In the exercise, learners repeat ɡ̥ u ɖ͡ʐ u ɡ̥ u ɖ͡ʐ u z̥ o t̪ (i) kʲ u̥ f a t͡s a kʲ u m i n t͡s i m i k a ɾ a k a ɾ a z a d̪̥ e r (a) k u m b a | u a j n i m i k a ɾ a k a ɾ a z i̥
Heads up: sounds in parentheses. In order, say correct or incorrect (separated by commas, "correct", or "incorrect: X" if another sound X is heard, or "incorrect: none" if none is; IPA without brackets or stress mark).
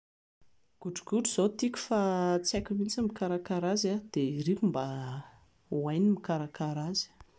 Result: correct, incorrect: i